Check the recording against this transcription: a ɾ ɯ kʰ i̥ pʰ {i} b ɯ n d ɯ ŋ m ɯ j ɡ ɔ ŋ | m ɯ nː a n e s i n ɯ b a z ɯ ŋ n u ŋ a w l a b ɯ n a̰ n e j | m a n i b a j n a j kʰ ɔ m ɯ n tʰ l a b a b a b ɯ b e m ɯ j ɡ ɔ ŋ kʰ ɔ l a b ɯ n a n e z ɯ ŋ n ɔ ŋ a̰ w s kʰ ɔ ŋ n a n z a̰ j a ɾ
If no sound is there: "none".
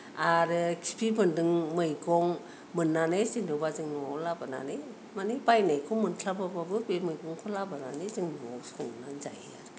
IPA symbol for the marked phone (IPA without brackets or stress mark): i